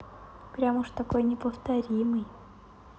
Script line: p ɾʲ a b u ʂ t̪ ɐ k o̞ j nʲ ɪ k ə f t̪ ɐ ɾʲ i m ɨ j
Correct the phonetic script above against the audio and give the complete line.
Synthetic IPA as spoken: p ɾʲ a m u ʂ t̪ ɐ k o̞ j nʲ ɪ p ə f t̪ ɐ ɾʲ i m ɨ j